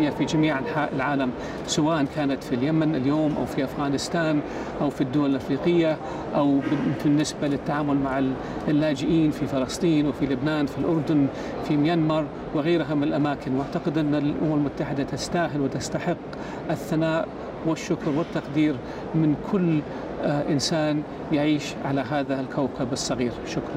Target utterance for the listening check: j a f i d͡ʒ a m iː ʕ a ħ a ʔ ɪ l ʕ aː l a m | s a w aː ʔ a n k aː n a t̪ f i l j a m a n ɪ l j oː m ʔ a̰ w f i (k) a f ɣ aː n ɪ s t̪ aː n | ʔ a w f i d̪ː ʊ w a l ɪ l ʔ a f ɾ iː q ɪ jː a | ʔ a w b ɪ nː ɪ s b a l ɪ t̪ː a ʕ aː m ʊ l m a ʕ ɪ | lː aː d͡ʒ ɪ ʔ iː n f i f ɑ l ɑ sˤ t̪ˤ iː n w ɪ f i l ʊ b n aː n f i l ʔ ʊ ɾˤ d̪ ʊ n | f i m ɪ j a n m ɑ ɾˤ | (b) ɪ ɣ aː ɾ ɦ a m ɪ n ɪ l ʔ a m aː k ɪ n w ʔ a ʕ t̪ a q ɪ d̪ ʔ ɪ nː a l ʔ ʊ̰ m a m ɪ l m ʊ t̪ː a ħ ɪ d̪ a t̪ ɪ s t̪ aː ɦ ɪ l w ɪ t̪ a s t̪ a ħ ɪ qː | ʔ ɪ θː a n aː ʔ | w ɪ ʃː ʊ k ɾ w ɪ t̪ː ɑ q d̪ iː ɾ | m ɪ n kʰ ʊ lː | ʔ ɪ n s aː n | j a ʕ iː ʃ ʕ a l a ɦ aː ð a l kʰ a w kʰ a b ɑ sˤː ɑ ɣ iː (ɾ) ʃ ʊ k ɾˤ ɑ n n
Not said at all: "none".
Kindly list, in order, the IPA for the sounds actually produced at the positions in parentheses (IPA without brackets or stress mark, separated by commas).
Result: ʔ, w, ɾ